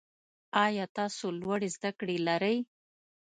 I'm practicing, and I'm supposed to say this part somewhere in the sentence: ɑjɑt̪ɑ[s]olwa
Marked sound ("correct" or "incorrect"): correct